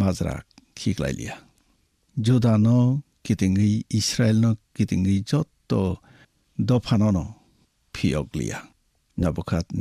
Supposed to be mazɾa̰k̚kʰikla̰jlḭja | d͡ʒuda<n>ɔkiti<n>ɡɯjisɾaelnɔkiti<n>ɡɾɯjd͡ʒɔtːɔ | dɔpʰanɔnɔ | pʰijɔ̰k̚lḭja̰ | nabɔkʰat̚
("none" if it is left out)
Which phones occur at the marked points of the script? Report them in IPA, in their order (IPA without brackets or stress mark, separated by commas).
n, ŋ, ŋ